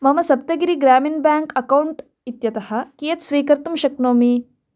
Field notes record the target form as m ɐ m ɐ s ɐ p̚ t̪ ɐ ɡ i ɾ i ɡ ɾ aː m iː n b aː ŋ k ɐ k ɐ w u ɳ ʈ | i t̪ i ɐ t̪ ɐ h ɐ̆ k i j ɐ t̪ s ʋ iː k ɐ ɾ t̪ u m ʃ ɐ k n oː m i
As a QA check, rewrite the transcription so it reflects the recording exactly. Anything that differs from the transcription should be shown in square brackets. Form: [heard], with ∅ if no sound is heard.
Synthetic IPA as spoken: m ɐ m ɐ s ɐ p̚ t̪ ɐ ɡ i ɾ i ɡ ɾ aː m [i] n b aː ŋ k ɐ k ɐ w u ɳ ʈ | i t̪ [j] ɐ t̪ ɐ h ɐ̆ k i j ɐ t̪ s ʋ iː k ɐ ɾ t̪ u m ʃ ɐ k n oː m i

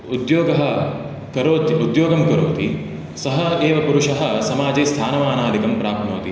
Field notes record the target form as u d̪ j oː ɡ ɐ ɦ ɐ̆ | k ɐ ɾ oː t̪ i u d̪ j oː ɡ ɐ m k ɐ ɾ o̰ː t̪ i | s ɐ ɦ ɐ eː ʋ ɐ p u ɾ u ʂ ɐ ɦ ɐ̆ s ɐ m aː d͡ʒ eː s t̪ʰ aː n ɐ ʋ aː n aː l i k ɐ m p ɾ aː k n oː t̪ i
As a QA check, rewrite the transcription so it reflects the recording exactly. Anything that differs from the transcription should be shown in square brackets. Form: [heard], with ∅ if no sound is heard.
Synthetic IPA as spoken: u d̪ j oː ɡ ɐ ɦ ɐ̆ | k ɐ ɾ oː t̪ i u d̪ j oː ɡ ɐ m k ɐ ɾ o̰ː t̪ i | s ɐ ɦ ɐ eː ʋ ɐ p u ɾ u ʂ ɐ ɦ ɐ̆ s ɐ m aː d͡ʒ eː s t̪ʰ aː n ɐ ʋ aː n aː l i k ɐ m p ɾ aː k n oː t̪ i

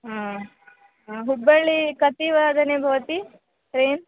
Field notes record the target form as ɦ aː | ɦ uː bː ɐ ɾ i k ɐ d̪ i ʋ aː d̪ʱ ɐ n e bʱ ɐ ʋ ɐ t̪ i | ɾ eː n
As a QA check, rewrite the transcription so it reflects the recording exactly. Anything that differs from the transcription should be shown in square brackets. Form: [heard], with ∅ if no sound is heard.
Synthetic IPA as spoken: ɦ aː | ɦ [u] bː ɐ [ɭ] i k ɐ [t̪] i ʋ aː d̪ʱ ɐ n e bʱ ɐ ʋ ɐ t̪ i | ɾ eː n

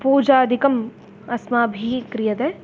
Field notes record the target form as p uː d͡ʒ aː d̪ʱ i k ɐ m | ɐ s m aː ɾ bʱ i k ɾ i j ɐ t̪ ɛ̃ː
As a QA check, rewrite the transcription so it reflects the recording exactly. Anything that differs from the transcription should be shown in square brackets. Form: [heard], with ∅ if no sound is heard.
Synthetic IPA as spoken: p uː d͡ʒ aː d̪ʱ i k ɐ m | ɐ s m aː [∅] bʱ i k ɾ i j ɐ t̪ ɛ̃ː

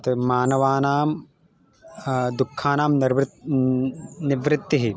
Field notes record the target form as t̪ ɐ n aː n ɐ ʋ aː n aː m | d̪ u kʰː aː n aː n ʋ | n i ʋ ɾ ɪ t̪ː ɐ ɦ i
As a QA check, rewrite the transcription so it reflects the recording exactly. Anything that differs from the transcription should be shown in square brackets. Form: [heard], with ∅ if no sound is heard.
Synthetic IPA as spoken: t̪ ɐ [m] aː n ɐ ʋ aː n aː m | d̪ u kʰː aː n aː [m] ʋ | n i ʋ ɾ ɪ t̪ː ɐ ɦ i

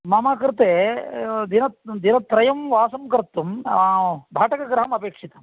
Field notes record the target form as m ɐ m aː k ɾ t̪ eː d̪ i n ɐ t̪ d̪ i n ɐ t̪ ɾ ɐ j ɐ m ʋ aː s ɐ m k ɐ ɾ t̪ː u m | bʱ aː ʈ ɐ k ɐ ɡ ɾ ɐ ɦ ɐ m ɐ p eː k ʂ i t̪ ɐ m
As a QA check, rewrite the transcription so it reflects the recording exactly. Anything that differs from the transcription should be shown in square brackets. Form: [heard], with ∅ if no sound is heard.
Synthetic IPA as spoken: m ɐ m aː k ɾ t̪ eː d̪ i n ɐ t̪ d̪ i n ɐ t̪ ɾ ɐ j ɐ m ʋ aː s ɐ m k ɐ ɾ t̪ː u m | bʱ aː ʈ ɐ k ɐ ɡ ɾ ɐ ɦ ɐ m ɐ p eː k ʂ i t̪ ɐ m

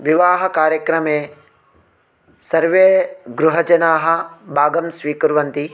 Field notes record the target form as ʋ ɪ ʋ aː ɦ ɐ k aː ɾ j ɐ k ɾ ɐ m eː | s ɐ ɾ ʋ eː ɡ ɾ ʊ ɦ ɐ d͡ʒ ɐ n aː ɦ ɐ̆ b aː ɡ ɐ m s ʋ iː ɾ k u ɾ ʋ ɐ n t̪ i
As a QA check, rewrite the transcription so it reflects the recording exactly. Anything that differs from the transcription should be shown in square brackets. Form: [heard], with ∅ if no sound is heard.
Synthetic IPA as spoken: ʋ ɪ ʋ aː ɦ ɐ k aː ɾ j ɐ k ɾ ɐ m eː | s ɐ ɾ ʋ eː ɡ ɾ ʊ ɦ ɐ d͡ʒ ɐ n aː ɦ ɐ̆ b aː ɡ ɐ m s ʋ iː [∅] k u ɾ ʋ ɐ n t̪ i

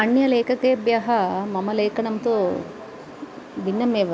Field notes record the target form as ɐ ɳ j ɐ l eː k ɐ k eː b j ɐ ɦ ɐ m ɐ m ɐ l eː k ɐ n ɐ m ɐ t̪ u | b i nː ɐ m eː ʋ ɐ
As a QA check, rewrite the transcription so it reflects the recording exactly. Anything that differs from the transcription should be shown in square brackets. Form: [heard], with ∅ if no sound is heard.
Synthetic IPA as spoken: ɐ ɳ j ɐ l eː k ɐ k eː b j ɐ ɦ ɐ m ɐ m ɐ l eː k ɐ n ɐ m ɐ t̪ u | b i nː ɐ m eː ʋ ɐ

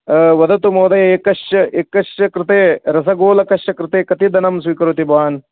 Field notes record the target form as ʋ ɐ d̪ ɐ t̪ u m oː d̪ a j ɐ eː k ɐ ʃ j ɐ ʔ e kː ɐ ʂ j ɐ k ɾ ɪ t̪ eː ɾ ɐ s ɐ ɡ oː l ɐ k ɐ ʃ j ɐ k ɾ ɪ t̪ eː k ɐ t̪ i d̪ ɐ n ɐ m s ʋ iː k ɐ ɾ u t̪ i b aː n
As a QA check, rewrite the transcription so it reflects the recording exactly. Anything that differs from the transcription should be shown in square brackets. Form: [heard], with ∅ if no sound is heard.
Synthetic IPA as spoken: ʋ ɐ d̪ ɐ t̪ u m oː d̪ [ɐ] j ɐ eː k ɐ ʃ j ɐ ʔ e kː ɐ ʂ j ɐ k ɾ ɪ t̪ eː ɾ ɐ s ɐ ɡ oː l ɐ k ɐ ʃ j ɐ k ɾ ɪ t̪ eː k ɐ t̪ i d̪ ɐ n ɐ m s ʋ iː k ɐ ɾ u t̪ i b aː n

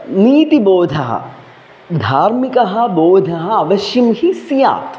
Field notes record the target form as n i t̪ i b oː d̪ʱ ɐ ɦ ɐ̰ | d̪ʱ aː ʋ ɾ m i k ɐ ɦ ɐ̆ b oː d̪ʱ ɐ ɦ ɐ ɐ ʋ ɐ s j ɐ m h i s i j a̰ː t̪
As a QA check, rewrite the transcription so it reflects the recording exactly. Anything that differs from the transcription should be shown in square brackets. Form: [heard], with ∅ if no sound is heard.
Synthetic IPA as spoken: n [iː] t̪ i b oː d̪ʱ ɐ ɦ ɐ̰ | d̪ʱ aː [∅] ɾ m i k ɐ ɦ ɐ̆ b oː d̪ʱ ɐ ɦ ɐ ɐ ʋ ɐ [ʃ] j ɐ m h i s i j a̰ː t̪

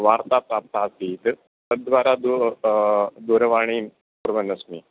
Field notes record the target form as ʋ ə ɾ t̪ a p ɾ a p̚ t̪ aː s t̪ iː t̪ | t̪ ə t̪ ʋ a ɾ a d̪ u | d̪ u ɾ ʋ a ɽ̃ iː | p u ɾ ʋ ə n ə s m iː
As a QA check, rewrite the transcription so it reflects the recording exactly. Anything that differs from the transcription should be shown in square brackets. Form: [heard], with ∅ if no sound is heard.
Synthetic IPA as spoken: ʋ [a] ɾ t̪ a p ɾ a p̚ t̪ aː s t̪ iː t̪ | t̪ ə [d̪] ʋ a ɾ a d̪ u | d̪ u ɾ ʋ a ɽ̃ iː | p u ɾ ʋ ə n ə s m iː

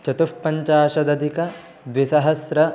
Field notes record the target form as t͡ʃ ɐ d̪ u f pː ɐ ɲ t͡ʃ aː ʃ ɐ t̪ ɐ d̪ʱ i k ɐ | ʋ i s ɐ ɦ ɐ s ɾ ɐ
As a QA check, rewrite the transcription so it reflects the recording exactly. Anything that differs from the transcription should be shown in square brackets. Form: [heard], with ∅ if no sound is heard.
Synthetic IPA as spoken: t͡ʃ ɐ [t̪] u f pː ɐ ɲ t͡ʃ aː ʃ ɐ [d̪] ɐ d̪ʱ i k ɐ | ʋ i s ɐ ɦ ɐ s ɾ ɐ

